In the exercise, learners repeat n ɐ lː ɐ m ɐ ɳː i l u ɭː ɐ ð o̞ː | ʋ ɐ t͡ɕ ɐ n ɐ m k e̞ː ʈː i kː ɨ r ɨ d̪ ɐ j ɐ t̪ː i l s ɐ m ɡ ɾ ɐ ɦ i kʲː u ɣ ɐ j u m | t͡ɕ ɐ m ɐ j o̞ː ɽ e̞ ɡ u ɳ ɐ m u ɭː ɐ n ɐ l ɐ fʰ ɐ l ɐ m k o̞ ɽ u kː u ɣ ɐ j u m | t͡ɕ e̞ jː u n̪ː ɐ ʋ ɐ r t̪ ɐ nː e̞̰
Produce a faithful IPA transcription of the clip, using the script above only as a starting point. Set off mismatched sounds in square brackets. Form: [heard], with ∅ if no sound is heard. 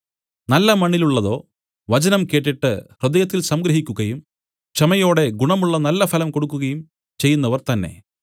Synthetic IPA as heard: n ɐ lː ɐ m ɐ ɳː i l u ɭː ɐ ð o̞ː | ʋ ɐ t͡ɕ ɐ n ɐ m k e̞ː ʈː i [ʈː] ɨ r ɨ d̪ ɐ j ɐ t̪ː i l s ɐ m ɡ ɾ ɐ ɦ i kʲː u ɣ ɐ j u m | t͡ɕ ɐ m ɐ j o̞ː ɽ e̞ ɡ u ɳ ɐ m u ɭː ɐ n ɐ [lː] ɐ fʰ ɐ l ɐ m k o̞ ɽ u kː u ɣ ɐ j u m | t͡ɕ e̞ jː u n̪ː ɐ ʋ ɐ r t̪ ɐ nː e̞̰